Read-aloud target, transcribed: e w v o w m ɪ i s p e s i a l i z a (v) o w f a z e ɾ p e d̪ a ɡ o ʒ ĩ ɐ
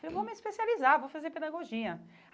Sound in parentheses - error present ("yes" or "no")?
no